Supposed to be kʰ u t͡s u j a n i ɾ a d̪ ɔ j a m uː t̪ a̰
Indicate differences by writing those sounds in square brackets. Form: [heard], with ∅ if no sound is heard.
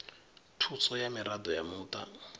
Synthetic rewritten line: [tʰ] u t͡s [ɔ] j a [m] i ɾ a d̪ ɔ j a m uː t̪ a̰